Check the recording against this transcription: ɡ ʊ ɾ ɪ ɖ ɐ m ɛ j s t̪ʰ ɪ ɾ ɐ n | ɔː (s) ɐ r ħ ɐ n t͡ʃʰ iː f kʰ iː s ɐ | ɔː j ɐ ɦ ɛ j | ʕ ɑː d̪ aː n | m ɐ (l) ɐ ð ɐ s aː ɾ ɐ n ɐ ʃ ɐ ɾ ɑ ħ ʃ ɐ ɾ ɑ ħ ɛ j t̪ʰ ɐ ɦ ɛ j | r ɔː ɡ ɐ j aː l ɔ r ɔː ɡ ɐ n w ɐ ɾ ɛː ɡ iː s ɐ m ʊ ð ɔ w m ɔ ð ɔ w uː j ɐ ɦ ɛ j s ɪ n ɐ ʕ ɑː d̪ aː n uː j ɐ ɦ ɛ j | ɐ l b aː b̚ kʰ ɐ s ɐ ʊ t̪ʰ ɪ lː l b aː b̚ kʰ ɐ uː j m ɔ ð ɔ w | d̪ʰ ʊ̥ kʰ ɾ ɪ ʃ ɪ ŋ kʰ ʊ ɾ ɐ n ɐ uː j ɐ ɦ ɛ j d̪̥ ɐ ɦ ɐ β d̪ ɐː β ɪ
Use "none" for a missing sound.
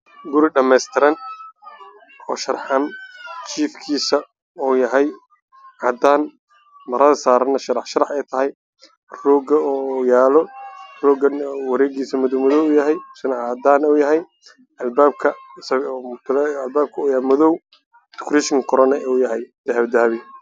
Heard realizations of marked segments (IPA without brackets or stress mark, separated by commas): ʃ, ɾ